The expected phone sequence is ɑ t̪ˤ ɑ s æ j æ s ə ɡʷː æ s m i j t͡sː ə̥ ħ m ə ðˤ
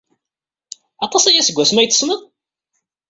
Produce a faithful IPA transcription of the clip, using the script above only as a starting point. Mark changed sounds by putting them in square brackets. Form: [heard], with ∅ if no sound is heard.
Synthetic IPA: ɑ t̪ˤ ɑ s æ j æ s ə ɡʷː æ s m [æ] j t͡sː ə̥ [s] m ə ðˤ

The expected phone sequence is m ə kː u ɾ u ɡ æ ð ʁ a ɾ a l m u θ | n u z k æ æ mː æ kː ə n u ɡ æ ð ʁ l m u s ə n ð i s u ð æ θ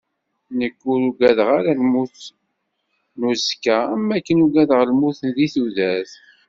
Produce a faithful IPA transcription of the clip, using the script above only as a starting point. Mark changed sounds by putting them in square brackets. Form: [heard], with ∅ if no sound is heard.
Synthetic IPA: [n] ə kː u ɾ u ɡ æ ð ʁ a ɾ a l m u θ | n u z k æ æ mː æ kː ə n u ɡ æ ð ʁ l m u [θ] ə n ð i [θ] u ð æ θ

